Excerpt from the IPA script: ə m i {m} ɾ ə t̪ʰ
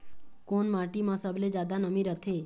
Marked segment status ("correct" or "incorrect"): incorrect